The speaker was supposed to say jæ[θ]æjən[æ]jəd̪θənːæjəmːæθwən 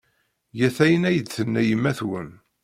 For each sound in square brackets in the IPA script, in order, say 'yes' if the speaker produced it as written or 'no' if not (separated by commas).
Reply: yes, yes